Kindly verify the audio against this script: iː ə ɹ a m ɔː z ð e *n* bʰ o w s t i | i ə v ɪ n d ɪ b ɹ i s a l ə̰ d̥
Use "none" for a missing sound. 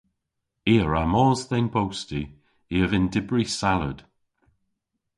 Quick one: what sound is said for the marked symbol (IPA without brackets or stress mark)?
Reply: n